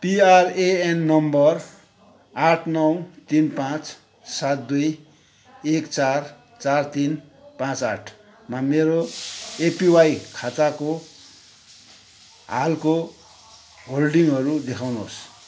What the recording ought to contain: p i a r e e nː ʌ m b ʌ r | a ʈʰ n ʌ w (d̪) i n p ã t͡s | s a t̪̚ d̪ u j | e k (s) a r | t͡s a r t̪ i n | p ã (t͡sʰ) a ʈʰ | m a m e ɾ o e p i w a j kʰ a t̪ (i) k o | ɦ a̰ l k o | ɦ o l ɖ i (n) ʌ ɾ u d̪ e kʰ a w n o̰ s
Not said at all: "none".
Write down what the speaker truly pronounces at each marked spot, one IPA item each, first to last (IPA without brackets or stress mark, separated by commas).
t̪, t͡s, t͡s, a, ŋ